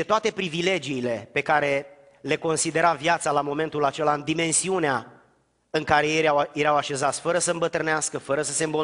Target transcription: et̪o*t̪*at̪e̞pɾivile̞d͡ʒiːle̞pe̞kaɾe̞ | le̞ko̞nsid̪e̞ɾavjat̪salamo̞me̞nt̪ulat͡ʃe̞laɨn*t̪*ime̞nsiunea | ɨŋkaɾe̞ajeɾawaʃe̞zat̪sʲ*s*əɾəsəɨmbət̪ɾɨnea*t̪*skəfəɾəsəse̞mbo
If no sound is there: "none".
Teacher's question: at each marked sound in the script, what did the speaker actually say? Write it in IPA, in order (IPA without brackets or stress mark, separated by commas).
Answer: none, d̪, f, none